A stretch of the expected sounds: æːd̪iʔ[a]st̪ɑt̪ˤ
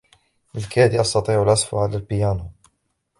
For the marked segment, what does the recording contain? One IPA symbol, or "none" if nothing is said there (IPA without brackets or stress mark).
ɑ